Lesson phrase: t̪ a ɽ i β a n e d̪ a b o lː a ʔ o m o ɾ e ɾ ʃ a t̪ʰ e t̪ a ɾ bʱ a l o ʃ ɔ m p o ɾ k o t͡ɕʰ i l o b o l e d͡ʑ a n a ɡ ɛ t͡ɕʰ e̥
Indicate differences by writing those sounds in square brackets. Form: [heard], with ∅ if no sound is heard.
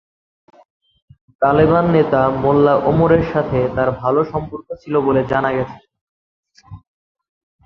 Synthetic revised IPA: t̪ a [l] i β a [nː] e [t̪] a [m] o lː a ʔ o m o ɾ e ɾ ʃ a t̪ʰ e t̪ a ɾ bʱ a l o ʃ ɔ m p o ɾ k o t͡ɕʰ i l o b o l e d͡ʑ a n a ɡ ɛ t͡ɕʰ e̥